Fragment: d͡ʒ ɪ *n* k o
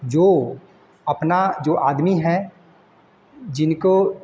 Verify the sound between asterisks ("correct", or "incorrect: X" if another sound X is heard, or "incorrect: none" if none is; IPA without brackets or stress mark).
correct